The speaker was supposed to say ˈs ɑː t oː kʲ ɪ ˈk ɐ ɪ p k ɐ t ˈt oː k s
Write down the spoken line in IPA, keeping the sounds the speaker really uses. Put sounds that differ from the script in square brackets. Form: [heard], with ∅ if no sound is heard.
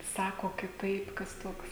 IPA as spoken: ˈs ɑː [k] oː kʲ ɪ [ˈt] ɐ ɪ p k ɐ [s] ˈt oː k s